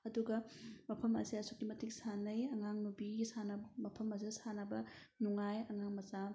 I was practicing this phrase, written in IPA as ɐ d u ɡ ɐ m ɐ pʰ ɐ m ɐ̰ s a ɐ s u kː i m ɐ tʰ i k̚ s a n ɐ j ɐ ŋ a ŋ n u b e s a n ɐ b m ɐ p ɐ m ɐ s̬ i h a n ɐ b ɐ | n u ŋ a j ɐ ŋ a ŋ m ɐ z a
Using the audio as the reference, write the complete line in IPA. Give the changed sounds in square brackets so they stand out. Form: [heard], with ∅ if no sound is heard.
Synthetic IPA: ɐ d u ɡ ɐ m ɐ pʰ ɐ m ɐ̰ s [i] ɐ s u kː i m ɐ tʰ i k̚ s a n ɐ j ɐ ŋ a ŋ n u b [i] s a n ɐ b m ɐ [pʰ] ɐ m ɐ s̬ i [s] a n ɐ b ɐ | n u ŋ a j ɐ ŋ a ŋ m ɐ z a